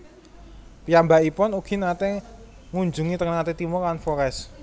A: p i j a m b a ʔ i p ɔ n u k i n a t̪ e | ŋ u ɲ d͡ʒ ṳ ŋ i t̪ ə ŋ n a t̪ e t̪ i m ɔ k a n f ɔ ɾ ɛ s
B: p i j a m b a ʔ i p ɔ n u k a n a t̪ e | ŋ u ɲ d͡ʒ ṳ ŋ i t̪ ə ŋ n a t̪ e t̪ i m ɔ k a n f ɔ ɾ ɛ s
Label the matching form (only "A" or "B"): A